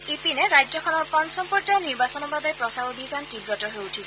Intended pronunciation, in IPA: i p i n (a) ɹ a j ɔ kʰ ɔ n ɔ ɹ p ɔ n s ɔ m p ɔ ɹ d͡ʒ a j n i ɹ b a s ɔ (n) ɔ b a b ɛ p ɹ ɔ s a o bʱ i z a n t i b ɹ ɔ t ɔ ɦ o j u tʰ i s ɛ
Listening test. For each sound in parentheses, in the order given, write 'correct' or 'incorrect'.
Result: incorrect: ɛ, correct

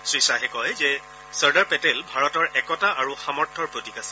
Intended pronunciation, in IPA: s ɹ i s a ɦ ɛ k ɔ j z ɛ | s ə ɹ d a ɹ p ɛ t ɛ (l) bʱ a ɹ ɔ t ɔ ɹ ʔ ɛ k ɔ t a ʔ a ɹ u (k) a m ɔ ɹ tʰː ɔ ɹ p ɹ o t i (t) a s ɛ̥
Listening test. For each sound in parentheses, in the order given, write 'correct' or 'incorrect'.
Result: correct, incorrect: x, incorrect: k

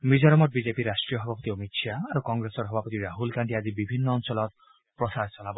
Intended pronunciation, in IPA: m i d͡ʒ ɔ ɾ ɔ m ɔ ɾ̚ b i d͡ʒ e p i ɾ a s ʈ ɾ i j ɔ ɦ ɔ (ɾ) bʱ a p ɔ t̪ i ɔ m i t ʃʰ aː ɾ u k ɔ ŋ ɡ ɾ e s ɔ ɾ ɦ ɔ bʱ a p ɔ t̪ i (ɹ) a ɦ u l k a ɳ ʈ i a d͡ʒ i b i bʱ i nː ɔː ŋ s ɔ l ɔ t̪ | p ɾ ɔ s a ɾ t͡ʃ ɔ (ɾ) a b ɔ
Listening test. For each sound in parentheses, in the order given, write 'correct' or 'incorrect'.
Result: incorrect: none, incorrect: ɾ, incorrect: l

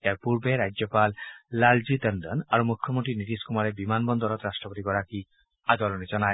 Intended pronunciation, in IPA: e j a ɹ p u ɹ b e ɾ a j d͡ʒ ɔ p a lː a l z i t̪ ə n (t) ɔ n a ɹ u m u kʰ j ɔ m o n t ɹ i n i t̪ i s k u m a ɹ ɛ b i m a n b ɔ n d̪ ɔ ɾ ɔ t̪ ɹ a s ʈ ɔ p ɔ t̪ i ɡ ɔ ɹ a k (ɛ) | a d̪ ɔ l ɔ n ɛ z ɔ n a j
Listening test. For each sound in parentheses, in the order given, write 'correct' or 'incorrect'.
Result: incorrect: d, incorrect: i

